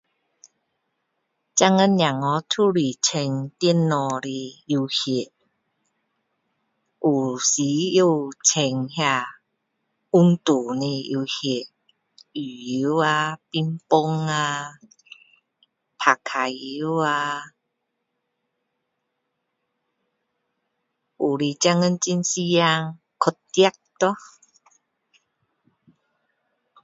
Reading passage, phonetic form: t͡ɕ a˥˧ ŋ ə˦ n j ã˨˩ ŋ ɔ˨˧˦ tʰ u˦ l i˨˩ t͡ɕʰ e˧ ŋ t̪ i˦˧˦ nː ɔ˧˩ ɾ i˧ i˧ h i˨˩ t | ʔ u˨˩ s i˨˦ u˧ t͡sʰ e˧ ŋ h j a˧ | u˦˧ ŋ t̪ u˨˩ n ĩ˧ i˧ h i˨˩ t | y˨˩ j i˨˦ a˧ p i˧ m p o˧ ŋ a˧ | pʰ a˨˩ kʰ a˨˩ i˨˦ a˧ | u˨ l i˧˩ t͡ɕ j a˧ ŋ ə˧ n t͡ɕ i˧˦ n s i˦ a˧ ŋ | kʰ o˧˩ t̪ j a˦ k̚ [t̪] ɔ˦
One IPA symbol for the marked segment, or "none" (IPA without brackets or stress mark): t̪